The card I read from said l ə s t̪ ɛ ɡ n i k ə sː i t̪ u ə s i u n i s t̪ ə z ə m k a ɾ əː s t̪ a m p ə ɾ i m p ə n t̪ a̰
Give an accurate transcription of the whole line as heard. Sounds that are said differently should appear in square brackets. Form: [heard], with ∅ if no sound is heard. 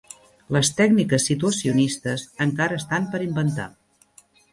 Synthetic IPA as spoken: l ə s t̪ ɛ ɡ n i k ə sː i t̪ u ə s i u n i s t̪ ə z ə [ŋ] k a ɾ əː s t̪ a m p ə ɾ i m [b] ə n t̪ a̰